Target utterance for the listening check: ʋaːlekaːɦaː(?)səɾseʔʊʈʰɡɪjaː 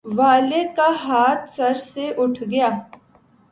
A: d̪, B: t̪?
B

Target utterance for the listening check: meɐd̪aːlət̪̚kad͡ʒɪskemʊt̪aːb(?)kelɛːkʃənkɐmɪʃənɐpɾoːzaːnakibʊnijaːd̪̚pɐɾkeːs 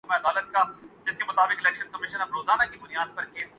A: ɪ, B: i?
A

